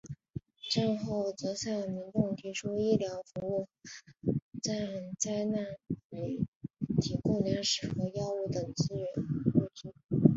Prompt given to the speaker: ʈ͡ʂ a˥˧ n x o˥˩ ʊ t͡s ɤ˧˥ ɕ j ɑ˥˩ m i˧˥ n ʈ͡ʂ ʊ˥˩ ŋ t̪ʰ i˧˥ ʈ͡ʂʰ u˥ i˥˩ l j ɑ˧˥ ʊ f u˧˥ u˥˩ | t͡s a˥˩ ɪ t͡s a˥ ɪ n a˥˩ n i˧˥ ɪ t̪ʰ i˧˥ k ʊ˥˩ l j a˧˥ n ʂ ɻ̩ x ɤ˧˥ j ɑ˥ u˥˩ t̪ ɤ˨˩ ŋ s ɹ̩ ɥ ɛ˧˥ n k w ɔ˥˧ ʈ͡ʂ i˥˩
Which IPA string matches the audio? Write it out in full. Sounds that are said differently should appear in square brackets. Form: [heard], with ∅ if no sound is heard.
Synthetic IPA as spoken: ʈ͡ʂ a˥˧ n x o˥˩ ʊ t͡s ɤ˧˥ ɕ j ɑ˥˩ m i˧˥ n ʈ͡ʂ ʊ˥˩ ŋ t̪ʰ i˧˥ ʈ͡ʂʰ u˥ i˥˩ l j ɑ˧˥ ʊ f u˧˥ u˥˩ | t͡s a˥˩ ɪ t͡s a˥ ɪ n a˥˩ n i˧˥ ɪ t̪ʰ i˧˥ k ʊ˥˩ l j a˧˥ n ʂ ɻ̩ x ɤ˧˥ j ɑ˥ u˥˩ t̪ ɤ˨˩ ŋ [t͡s] ɹ̩ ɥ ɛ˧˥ n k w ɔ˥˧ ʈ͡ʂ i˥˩